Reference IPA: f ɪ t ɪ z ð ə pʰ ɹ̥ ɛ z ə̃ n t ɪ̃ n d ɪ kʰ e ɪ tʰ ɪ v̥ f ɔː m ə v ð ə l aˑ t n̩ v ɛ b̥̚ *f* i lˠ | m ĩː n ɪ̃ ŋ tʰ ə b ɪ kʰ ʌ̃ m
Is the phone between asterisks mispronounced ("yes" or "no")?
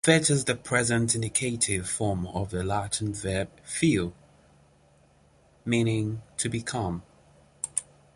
no